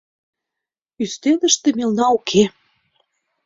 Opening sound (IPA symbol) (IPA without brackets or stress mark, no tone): y